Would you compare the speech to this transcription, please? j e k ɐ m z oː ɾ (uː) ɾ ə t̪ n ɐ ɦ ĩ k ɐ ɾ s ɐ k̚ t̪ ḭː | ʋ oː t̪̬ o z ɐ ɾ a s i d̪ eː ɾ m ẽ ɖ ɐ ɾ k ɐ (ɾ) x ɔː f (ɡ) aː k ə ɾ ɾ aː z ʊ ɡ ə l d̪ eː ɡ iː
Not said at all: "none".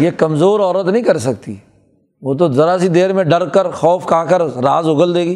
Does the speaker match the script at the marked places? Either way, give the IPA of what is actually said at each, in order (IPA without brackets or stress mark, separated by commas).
ɔː, ɾ, k